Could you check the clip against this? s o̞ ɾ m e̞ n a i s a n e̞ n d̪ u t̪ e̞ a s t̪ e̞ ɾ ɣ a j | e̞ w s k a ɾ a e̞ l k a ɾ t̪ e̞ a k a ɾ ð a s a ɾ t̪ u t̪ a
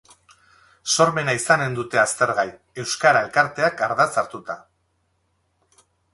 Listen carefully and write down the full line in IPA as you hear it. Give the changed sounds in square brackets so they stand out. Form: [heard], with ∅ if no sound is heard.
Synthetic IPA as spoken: s o̞ ɾ m e̞ n a i s a n e̞ n d̪ u t̪ e̞ a s t̪ e̞ ɾ ɣ a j | e̞ w s k a ɾ a e̞ l k a ɾ t̪ e̞ a k a ɾ ð a [t͡s] a ɾ t̪ u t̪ a